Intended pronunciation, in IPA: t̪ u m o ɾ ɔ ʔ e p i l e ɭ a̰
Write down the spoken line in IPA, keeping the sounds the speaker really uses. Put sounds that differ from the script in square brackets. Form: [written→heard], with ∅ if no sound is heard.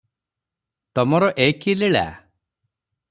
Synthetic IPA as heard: t̪ [u→ɔ] m [o→ɔ] ɾ ɔ ʔ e [p→k] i l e ɭ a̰